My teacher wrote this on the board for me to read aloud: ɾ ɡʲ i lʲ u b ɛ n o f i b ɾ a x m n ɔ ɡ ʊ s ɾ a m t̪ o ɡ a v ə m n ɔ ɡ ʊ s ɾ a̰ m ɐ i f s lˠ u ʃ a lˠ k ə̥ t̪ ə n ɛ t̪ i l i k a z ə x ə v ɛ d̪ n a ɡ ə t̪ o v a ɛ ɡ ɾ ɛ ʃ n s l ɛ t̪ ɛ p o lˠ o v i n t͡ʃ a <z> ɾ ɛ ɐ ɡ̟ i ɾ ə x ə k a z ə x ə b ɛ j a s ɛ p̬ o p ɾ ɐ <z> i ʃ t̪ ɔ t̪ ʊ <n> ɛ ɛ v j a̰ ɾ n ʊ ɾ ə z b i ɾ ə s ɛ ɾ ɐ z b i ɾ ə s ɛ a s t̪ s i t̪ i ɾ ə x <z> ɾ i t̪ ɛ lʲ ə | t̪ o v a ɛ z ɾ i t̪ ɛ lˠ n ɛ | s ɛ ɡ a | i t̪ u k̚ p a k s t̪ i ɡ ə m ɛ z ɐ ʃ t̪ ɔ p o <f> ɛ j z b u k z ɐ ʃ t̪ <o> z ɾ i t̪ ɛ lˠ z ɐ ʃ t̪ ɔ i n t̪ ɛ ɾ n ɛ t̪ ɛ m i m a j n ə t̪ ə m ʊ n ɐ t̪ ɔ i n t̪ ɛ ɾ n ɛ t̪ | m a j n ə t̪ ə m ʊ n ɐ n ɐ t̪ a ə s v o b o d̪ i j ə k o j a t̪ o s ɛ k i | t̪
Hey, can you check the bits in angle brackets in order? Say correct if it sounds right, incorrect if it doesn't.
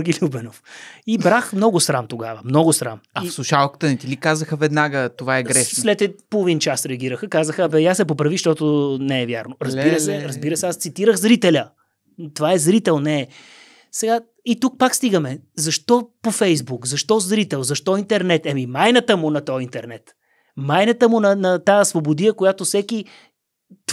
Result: incorrect: s, incorrect: v, correct, correct, correct, incorrect: ɔ

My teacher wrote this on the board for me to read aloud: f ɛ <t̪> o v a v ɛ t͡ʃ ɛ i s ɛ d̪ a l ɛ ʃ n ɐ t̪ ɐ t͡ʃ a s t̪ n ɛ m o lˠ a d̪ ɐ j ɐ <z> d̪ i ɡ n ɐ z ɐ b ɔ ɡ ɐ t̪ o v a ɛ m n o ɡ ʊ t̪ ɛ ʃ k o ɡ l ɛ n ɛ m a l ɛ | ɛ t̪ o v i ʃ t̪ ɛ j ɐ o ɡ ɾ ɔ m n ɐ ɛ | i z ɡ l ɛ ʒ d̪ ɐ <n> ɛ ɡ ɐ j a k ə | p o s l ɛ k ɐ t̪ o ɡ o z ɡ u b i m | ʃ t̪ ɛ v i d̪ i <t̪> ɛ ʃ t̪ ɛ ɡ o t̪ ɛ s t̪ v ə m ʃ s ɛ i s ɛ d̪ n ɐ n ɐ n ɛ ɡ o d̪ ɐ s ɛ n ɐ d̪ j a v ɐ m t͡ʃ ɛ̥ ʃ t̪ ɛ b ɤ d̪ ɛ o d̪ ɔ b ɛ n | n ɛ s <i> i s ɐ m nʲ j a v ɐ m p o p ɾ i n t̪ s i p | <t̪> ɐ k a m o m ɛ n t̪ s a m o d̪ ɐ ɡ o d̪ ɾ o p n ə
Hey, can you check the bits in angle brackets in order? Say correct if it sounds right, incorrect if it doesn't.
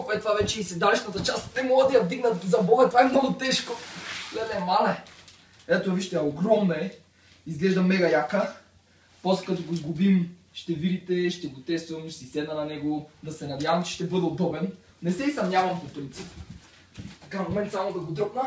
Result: correct, incorrect: v, incorrect: m, correct, incorrect: ɛ, correct

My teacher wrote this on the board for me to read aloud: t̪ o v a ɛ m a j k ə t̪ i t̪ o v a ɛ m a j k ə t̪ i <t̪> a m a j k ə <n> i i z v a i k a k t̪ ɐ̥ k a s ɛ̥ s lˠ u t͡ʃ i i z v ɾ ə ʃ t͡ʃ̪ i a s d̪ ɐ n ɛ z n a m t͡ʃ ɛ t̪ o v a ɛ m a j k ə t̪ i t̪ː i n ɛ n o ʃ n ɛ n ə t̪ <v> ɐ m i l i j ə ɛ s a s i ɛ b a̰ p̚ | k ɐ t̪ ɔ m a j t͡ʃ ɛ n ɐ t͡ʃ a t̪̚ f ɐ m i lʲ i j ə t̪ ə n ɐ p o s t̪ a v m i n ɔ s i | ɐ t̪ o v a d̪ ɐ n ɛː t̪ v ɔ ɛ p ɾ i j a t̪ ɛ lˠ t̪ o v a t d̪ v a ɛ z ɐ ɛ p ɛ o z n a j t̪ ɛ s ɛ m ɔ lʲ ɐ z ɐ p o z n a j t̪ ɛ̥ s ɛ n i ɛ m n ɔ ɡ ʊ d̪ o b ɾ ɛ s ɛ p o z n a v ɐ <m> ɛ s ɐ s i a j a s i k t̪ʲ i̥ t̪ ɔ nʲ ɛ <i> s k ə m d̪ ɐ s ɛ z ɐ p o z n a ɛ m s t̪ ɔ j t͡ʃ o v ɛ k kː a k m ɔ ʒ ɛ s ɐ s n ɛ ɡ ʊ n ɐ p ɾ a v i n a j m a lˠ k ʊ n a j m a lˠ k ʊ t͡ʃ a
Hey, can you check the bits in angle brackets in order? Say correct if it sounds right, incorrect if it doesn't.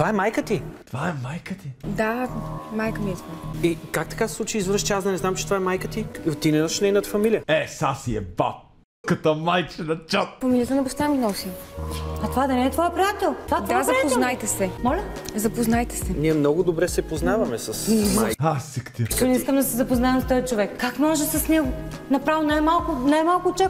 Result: incorrect: d̪, incorrect: m, incorrect: f, correct, correct

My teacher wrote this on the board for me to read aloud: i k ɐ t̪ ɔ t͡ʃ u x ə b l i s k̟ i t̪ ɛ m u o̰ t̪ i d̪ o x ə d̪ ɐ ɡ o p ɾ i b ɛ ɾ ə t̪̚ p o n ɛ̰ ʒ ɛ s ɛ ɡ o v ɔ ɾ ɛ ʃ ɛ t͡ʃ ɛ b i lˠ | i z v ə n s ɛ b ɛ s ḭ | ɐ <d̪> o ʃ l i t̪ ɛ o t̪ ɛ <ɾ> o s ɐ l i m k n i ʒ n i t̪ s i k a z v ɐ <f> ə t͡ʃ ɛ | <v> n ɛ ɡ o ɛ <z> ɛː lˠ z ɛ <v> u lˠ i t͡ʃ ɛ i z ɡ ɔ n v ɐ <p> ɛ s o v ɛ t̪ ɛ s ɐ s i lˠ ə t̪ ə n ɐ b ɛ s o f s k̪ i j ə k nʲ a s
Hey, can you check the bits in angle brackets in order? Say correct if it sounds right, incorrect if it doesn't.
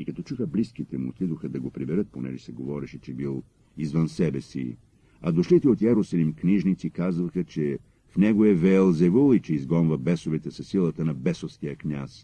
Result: correct, correct, incorrect: x, incorrect: f, incorrect: v, correct, incorrect: b

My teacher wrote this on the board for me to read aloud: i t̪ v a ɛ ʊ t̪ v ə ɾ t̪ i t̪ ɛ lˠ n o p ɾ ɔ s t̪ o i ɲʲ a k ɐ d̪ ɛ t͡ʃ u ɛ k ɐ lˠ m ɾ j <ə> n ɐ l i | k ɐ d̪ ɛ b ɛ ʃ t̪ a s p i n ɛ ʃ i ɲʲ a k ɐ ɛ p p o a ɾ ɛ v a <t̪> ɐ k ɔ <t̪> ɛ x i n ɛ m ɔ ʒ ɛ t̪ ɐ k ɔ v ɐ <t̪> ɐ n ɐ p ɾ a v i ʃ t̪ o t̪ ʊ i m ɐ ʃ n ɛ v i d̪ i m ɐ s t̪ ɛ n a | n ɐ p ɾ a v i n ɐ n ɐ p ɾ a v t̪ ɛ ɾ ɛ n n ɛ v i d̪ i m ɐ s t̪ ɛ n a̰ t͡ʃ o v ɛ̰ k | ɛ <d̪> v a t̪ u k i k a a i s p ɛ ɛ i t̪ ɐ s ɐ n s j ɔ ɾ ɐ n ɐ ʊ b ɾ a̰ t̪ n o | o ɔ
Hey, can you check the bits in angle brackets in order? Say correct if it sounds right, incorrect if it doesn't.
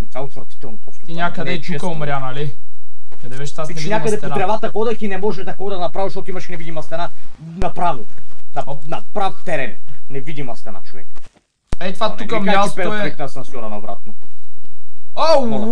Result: incorrect: a, correct, incorrect: d̪, incorrect: d̪, incorrect: t̪

